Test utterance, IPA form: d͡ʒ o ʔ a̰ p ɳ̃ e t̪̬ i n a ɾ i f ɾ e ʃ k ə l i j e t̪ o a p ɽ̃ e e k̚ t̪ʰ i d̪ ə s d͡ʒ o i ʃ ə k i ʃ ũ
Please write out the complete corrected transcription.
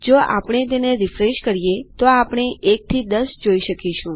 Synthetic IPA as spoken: d͡ʒ o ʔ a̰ p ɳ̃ e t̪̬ e n e ɾ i f ɾ e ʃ k ə ɾ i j e t̪ o a p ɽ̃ e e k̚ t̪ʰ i d̪ ə s d͡ʒ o i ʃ ə k i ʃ ũ